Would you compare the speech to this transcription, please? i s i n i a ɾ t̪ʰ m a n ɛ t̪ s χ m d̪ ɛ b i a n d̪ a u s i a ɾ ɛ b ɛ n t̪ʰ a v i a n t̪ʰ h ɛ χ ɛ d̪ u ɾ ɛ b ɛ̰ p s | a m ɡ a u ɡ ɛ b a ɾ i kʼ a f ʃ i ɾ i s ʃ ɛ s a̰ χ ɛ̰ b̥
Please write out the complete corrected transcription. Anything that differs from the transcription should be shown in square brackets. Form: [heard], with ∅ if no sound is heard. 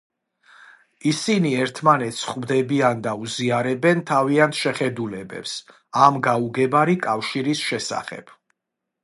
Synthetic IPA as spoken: i s i n i [ɛ] ɾ t̪ʰ m a n ɛ t̪ s χ m d̪ ɛ b i a n d̪ a u [z] i a ɾ ɛ b ɛ n t̪ʰ a v i a n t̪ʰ [ʃ] ɛ χ ɛ d̪ u [l] ɛ b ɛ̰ p s | a m ɡ a u ɡ ɛ b a ɾ i kʼ a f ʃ i ɾ i s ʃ ɛ s a̰ χ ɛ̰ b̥